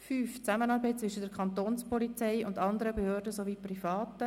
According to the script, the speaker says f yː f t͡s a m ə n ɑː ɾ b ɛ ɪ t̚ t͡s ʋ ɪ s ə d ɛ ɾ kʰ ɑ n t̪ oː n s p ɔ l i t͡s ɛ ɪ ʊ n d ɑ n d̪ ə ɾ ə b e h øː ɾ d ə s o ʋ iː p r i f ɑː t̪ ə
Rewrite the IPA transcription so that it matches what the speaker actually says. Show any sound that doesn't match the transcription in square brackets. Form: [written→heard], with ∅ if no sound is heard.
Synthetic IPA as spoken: f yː f t͡s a m ə n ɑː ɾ b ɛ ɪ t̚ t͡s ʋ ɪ [s→ʃ] ə d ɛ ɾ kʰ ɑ n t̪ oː n s p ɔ l i t͡s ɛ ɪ ʊ n d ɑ n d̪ ə ɾ ə b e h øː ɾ d ə s o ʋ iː p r i f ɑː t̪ ə

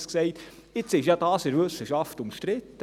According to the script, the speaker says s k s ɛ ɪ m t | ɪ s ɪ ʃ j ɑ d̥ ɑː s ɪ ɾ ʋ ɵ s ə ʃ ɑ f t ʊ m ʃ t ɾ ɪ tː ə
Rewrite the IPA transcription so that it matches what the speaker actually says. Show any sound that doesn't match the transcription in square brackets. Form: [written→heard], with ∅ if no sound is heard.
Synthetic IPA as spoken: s k s ɛ ɪ [m→∅] t | ɪ [s→t͡s] ɪ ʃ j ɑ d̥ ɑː s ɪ ɾ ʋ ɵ s ə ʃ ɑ f t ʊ m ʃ t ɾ ɪ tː ə

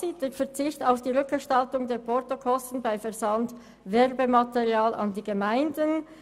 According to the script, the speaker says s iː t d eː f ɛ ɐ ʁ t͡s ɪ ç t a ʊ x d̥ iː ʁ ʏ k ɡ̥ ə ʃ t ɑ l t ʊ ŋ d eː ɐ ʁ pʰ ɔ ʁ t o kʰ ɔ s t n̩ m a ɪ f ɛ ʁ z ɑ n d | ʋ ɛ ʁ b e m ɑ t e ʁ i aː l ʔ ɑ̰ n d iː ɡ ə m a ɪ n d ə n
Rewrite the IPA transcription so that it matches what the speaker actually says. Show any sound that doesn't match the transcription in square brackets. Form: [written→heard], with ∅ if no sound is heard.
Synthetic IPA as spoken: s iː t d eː f ɛ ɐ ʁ t͡s ɪ ç t a ʊ [x→f] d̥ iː ʁ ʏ k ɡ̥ ə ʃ t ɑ l t ʊ ŋ d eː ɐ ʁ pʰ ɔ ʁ t o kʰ ɔ s t n̩ [m→b] a ɪ f ɛ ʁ z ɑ n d | [ʋ→v] ɛ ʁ b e m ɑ t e ʁ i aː l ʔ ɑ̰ n d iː ɡ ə m a ɪ n d ə n

